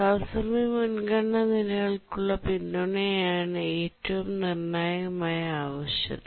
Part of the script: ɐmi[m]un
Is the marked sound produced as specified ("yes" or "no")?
yes